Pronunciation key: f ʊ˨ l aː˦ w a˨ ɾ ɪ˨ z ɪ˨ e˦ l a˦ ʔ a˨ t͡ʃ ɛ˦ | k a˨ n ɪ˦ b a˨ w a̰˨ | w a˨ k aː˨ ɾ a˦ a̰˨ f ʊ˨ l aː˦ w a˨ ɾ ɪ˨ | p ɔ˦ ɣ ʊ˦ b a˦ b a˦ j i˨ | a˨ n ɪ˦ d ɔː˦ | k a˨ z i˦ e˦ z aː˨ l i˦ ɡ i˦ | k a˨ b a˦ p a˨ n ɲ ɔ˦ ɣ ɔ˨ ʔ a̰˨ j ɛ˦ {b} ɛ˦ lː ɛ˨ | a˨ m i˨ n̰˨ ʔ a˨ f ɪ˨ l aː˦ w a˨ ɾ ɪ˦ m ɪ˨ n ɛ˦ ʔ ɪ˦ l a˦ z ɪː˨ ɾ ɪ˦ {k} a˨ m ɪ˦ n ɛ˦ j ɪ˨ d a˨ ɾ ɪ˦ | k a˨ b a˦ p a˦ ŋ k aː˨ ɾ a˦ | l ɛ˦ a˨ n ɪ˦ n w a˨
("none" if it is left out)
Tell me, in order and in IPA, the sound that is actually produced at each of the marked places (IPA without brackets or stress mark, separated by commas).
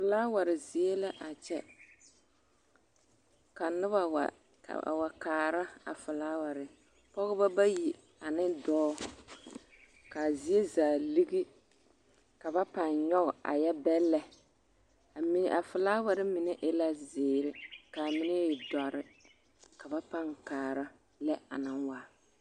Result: b, k